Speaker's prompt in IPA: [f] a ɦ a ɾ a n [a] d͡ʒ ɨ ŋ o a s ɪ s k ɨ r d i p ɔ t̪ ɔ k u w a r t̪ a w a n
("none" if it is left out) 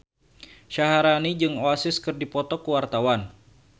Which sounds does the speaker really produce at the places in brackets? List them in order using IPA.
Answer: ʃ, i

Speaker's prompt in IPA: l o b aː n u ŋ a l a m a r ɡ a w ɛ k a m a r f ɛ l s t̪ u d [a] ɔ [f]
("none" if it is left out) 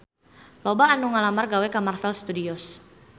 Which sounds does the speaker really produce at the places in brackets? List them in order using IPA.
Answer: i, s

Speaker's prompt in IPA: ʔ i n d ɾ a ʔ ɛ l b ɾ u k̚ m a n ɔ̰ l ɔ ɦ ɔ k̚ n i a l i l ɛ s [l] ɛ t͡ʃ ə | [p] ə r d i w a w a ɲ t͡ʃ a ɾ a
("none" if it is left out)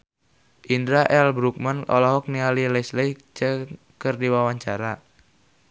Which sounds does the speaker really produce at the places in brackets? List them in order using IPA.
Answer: l, k

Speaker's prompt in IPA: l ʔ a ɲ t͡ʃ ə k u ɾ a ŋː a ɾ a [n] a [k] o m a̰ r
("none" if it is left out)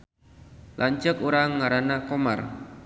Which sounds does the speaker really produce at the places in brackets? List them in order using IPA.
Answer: n, k

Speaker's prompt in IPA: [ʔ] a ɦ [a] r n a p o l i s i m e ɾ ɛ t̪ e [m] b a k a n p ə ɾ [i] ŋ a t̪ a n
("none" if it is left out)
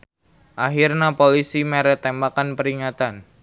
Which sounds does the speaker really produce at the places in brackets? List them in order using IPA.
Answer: ʔ, i, m, i

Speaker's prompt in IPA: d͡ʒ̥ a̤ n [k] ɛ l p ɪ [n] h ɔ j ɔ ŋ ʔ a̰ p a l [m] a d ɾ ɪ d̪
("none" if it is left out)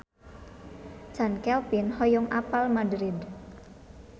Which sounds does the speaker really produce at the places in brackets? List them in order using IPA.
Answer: k, n, m

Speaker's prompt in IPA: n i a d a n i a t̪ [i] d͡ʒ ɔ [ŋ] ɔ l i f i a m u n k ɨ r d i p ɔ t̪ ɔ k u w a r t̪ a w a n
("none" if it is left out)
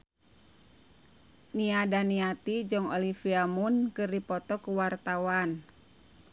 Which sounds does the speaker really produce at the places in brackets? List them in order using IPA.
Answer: i, ŋ

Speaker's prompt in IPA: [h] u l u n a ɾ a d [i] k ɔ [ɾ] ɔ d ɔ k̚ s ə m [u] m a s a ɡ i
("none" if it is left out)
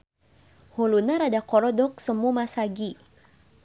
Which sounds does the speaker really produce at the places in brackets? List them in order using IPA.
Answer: h, a, ɾ, u

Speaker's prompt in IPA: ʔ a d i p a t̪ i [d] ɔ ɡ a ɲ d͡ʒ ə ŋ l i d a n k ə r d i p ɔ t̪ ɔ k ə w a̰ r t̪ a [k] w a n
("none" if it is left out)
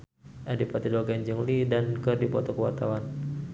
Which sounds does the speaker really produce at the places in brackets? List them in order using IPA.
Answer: d, none

